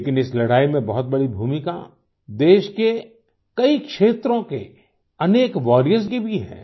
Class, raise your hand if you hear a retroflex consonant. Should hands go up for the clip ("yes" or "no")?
yes